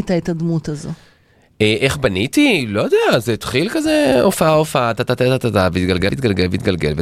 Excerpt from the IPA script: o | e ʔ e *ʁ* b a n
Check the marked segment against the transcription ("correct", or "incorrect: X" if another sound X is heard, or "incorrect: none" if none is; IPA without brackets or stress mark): incorrect: χ